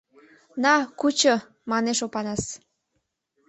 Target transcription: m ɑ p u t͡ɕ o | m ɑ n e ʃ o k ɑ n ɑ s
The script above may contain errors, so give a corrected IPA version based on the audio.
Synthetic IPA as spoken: n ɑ k u t͡ɕ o | m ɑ n e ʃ o p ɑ n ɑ s